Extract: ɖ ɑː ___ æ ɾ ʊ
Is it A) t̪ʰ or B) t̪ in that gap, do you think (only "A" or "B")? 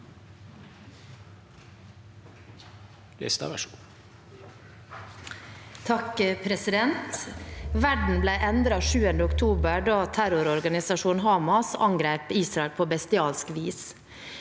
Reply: A